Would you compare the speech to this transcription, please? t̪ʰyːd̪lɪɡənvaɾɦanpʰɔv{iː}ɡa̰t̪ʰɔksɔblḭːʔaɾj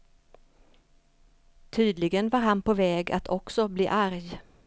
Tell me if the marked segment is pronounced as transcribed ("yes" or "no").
no